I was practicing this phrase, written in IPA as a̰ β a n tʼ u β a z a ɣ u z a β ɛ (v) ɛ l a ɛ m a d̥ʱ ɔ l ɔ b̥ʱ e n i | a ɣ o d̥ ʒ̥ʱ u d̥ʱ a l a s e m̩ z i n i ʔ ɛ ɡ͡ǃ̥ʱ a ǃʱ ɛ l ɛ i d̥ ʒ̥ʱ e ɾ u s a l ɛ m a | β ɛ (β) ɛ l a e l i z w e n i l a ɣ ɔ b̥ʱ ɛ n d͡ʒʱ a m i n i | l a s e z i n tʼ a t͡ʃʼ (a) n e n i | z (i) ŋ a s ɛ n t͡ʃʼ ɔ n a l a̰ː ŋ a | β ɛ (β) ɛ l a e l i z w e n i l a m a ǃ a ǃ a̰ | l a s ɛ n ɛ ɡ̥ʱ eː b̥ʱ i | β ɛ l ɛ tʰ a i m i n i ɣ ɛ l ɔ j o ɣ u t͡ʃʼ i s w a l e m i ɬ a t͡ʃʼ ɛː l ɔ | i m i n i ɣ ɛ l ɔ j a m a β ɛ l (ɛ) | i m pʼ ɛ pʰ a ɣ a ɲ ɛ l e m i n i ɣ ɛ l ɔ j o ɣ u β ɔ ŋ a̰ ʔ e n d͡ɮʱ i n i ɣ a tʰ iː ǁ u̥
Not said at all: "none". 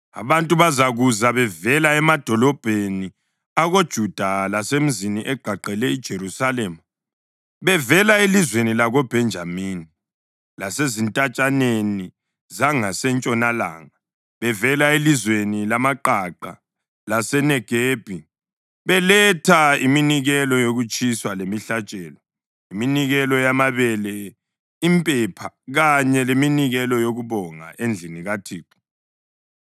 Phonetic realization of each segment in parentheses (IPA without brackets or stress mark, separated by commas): v, v, a, a, v, ɛ